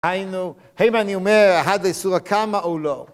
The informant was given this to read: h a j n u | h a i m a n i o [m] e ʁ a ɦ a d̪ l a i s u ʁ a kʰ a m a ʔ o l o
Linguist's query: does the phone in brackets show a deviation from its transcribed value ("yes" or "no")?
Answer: no